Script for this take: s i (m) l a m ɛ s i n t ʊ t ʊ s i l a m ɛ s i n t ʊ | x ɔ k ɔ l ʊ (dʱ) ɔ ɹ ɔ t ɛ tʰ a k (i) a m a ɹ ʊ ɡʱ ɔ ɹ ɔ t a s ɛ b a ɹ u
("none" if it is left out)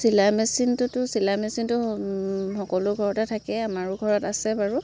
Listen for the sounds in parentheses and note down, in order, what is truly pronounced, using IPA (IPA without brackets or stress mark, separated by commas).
none, ɡʱ, ɛ